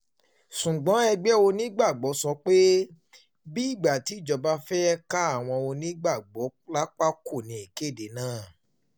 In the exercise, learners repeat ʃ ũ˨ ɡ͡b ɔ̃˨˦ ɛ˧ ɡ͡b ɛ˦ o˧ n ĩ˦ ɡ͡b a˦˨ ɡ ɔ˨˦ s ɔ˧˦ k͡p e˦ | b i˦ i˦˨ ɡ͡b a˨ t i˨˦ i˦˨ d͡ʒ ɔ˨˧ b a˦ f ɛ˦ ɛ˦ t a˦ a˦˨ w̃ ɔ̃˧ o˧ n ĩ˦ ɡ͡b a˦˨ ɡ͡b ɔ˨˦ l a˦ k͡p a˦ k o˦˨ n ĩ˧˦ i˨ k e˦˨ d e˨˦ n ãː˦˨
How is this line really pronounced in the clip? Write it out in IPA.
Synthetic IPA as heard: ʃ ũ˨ ɡ͡b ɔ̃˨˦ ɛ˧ ɡ͡b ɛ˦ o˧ n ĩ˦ ɡ͡b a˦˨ ɡ͡b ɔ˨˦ s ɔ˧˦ k͡p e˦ | b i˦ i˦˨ ɡ͡b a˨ t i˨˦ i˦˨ d͡ʒ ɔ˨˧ b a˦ f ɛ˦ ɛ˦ k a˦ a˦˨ w̃ ɔ̃˧ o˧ n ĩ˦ ɡ͡b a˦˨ ɡ͡b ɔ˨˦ l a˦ k͡p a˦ k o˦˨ n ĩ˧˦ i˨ k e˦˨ d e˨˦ n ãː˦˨